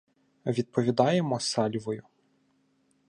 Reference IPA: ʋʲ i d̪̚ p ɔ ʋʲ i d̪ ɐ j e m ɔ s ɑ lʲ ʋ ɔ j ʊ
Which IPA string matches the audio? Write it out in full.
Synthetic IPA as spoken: ʋʲ i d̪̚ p ɔ ʋʲ i d̪ ɑ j e m ɔ s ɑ lʲ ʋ ɔ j ʊ